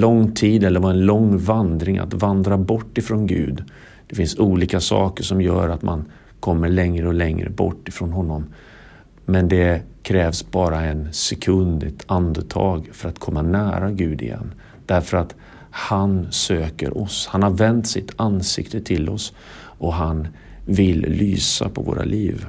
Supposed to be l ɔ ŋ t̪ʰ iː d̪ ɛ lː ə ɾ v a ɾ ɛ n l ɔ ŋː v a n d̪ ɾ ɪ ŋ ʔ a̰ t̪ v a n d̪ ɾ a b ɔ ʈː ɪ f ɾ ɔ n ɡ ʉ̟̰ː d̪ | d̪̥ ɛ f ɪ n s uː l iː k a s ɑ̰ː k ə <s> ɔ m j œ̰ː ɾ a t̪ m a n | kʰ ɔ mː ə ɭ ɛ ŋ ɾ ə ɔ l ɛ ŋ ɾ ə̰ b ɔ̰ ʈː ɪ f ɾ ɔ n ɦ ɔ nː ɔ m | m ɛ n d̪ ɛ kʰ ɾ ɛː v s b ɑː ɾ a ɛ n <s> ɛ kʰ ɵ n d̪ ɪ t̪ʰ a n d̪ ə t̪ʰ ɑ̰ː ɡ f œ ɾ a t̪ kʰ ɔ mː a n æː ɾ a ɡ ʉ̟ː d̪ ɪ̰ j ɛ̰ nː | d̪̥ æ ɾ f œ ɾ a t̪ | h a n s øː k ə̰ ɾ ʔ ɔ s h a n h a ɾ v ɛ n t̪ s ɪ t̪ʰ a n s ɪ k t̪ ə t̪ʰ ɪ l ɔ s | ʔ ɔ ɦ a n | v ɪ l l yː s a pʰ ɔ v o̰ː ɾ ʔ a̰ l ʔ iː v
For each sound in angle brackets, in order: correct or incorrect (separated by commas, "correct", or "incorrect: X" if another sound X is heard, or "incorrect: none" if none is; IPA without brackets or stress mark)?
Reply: incorrect: ʂ, correct